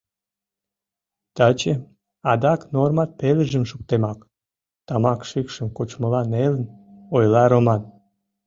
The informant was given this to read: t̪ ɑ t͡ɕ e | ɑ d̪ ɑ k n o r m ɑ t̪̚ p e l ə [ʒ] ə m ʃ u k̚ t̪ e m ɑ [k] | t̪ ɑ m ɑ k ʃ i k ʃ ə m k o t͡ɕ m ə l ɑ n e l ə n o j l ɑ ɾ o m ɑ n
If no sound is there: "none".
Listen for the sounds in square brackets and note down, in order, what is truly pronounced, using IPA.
ʒ, k

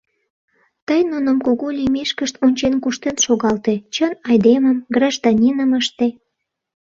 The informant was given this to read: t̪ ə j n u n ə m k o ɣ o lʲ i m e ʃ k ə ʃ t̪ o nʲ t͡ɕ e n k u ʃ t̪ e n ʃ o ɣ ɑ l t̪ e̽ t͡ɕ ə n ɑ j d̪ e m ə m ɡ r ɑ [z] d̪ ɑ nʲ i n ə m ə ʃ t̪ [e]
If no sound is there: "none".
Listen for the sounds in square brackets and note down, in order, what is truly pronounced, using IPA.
ʒ, e

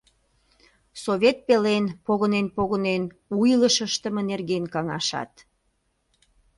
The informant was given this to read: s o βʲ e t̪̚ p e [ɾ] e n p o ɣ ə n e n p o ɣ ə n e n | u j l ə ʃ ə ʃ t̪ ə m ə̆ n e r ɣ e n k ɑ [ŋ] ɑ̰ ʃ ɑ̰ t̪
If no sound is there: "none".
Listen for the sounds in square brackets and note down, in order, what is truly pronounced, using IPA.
l, ŋ

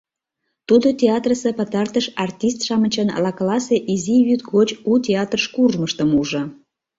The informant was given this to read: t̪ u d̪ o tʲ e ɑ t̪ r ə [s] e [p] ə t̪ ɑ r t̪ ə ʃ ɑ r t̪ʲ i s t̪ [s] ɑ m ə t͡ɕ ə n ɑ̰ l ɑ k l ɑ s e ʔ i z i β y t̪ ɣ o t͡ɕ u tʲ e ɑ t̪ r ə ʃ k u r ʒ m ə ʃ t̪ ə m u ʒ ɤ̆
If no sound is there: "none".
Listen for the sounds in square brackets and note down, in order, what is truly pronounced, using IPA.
s, p, ʃ

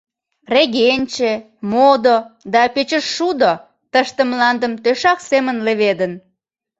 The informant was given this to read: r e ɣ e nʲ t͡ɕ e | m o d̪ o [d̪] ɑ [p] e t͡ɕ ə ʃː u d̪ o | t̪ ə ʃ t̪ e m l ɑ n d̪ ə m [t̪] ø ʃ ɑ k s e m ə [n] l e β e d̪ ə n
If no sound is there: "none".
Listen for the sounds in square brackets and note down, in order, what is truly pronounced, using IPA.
d̪, p, t̪, n

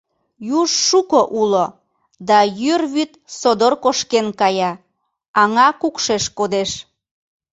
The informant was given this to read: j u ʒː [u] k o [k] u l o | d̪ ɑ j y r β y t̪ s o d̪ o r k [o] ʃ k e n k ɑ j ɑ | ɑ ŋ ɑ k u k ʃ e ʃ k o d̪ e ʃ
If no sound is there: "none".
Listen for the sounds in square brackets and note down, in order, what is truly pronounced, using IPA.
u, ʔ, o

